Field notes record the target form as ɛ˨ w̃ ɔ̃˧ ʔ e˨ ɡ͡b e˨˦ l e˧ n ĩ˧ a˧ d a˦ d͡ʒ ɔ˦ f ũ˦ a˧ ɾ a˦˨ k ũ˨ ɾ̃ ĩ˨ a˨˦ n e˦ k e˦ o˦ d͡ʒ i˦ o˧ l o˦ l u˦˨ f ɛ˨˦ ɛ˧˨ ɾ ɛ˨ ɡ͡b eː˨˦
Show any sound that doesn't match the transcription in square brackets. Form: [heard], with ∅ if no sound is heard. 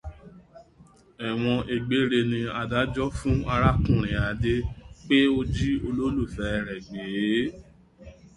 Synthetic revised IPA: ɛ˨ w̃ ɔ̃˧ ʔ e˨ ɡ͡b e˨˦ [ɾ] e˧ n ĩ˧ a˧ d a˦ d͡ʒ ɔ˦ f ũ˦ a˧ ɾ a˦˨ k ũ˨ ɾ̃ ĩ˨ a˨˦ [d] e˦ [k͡p] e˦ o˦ d͡ʒ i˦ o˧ l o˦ l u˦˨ f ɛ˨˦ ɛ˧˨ ɾ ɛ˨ ɡ͡b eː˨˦